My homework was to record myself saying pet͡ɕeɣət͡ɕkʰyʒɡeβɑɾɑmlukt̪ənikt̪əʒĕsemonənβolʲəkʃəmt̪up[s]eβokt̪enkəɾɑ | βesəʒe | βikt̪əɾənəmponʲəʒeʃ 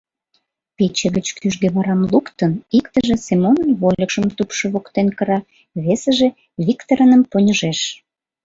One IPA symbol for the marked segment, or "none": ʃ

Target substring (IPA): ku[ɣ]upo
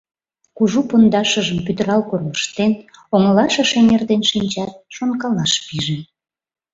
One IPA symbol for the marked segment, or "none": ʒ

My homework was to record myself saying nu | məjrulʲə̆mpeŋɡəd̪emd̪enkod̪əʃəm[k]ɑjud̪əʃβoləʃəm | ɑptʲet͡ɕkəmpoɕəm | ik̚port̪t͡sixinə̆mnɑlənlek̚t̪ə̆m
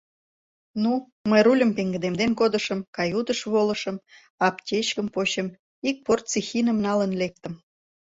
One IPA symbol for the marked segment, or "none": k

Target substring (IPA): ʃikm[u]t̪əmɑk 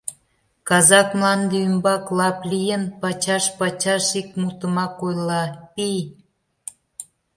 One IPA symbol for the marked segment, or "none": u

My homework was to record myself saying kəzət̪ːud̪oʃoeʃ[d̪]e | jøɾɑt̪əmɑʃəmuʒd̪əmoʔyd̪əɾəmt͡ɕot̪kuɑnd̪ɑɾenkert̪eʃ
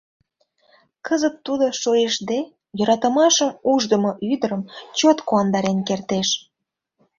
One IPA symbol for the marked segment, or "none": d̪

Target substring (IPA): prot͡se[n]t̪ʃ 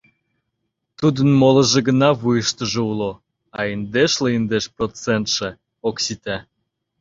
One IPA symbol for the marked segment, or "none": n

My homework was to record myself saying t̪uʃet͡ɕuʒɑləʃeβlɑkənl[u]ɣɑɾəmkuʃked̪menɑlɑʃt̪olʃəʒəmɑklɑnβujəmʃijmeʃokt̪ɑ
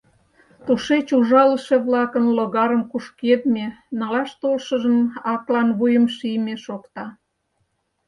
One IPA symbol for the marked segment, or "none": o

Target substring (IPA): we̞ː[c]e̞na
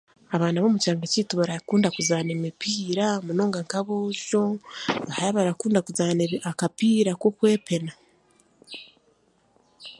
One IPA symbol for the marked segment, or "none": p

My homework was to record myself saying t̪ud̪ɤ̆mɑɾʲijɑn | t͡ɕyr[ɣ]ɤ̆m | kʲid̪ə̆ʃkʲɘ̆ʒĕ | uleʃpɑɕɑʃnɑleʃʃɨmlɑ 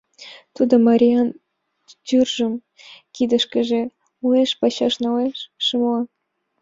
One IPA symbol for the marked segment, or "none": ʒ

